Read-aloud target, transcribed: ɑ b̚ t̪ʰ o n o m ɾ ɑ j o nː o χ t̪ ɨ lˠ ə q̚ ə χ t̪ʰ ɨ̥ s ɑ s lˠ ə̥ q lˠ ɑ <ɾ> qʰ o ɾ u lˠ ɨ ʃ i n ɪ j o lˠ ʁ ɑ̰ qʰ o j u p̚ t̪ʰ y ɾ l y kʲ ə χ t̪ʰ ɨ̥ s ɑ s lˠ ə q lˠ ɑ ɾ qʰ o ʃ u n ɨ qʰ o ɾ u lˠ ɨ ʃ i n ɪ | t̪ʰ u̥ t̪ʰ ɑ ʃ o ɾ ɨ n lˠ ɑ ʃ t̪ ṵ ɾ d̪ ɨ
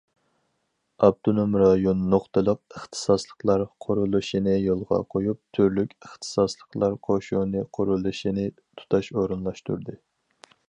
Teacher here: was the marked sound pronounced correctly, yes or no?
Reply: yes